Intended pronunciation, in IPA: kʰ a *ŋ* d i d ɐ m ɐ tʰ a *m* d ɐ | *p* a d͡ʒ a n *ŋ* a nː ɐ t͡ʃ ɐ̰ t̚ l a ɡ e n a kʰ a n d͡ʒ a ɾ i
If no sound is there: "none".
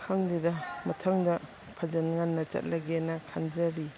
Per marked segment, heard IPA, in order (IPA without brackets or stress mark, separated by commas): ŋ, ŋ, pʰ, ŋ